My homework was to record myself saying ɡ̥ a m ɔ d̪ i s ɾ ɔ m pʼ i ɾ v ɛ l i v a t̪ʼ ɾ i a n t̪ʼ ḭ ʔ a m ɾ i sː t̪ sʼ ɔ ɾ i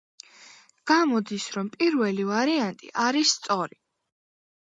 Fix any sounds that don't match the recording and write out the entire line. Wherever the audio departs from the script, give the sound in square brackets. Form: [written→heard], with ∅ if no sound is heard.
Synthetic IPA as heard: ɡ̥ a m ɔ d̪ i s ɾ ɔ m pʼ i ɾ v ɛ l i v a [t̪ʼ→∅] ɾ i a n t̪ʼ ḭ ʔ a [m→∅] ɾ i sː t̪ sʼ ɔ ɾ i